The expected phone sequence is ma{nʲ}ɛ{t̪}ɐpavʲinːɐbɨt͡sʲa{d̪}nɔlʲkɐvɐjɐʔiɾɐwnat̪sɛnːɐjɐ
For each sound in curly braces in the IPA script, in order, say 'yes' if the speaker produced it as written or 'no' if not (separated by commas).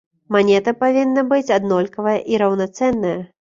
yes, yes, yes